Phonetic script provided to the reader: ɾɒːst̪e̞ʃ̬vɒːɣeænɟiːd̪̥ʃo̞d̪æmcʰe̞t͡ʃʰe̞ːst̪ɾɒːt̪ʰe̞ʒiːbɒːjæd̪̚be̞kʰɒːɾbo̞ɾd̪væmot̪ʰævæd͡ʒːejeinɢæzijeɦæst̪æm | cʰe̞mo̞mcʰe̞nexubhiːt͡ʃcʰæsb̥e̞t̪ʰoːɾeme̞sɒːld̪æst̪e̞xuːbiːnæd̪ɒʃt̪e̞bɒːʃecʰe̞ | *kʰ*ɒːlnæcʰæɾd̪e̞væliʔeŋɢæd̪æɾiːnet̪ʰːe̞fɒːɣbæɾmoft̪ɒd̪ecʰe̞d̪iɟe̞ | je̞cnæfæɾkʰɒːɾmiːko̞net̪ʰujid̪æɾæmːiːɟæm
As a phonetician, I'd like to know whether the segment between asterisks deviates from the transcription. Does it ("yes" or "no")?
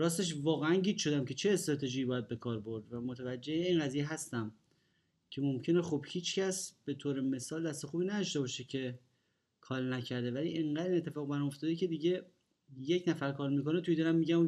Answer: no